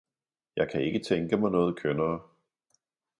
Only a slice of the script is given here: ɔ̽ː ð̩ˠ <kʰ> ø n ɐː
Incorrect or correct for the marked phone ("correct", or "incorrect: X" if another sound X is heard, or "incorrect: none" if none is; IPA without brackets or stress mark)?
correct